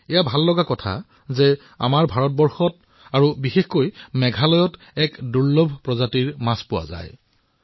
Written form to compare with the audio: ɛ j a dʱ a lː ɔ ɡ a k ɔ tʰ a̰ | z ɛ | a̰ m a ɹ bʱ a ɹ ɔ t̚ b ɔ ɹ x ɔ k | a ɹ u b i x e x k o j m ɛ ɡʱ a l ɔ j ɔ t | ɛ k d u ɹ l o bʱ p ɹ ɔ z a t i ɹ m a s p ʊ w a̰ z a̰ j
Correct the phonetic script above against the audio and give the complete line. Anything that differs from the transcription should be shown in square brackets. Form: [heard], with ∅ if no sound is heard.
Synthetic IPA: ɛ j a [bʱ] a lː ɔ ɡ a k ɔ tʰ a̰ | z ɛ | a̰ m a ɹ bʱ a ɹ ɔ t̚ b ɔ ɹ x ɔ [t] | a ɹ u b i x e x k o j m ɛ ɡʱ a l ɔ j ɔ t | ɛ k d u ɹ l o bʱ p ɹ ɔ z a t i ɹ m a s p ʊ w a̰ z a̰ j